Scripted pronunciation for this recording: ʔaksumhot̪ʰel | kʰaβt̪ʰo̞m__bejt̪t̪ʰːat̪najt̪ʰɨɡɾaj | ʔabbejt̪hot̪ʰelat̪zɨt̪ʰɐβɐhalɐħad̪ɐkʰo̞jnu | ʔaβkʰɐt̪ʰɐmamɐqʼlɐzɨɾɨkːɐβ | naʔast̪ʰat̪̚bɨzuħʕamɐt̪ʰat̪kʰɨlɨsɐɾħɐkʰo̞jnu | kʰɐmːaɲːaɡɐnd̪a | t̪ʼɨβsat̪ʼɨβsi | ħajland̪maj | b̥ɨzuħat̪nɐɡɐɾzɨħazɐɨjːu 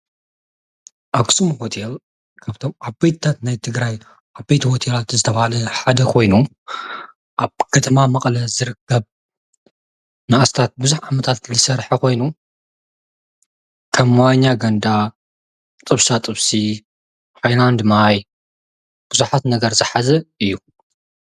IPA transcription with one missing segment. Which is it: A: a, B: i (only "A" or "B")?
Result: A